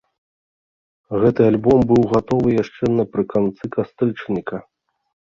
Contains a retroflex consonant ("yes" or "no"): yes